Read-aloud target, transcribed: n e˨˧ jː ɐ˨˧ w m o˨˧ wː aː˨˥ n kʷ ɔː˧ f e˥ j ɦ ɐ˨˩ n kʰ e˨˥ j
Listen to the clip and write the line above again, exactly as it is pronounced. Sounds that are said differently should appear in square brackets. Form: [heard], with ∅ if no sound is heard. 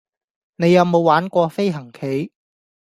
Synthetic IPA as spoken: n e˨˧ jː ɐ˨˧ w m o˨˧ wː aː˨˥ n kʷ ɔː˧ f e˥ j ɦ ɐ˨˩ [ŋ] kʰ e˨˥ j